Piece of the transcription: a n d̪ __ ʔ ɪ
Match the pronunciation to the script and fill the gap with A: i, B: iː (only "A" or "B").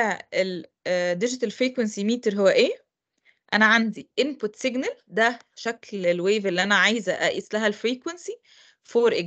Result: A